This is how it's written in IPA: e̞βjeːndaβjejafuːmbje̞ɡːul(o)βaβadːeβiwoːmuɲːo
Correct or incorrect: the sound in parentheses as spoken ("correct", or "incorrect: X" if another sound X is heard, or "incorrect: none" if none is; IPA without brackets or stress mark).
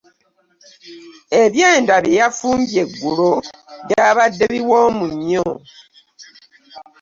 correct